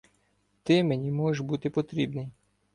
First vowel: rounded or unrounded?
unrounded